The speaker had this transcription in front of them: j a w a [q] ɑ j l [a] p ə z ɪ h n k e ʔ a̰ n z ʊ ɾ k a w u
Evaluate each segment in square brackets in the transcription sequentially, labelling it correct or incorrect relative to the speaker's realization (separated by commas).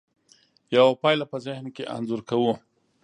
incorrect, correct